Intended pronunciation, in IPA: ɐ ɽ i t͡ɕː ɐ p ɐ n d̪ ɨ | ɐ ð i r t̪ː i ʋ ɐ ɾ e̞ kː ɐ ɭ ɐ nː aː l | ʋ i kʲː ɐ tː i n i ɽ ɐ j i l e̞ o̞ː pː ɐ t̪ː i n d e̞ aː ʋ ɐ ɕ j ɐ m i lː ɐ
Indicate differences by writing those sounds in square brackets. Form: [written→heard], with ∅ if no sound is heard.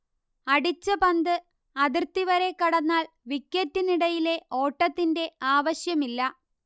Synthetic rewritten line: ɐ ɽ i t͡ɕː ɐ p ɐ n d̪ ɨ | ɐ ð i r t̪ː i ʋ ɐ ɾ e̞ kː ɐ [ɭ→ɽ] ɐ nː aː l | ʋ i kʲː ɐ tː i n i ɽ ɐ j i l e̞ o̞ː [pː→ʈː] ɐ t̪ː i n d e̞ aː ʋ ɐ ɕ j ɐ m i lː ɐ